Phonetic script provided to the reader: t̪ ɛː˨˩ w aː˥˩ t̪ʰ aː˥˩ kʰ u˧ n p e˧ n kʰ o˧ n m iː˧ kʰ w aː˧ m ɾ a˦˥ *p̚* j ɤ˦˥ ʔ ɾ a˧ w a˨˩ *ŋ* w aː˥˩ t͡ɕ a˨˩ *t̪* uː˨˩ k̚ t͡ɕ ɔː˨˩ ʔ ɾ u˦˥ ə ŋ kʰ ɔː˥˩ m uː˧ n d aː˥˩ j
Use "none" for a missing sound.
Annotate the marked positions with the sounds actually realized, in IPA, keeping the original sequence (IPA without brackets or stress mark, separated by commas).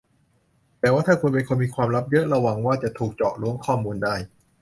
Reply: p̚, ŋ, t̪ʰ